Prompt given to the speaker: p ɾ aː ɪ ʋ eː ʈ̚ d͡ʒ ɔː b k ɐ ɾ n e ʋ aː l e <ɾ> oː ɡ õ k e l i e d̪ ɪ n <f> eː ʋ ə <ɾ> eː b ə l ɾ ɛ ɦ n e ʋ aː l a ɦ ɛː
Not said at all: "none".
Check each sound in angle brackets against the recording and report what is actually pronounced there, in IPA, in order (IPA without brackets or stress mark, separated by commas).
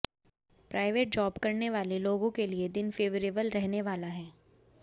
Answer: l, f, ɾ